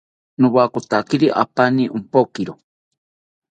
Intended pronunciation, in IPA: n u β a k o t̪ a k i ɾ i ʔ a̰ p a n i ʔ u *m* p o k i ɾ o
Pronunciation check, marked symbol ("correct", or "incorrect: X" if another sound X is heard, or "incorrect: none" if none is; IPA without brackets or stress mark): correct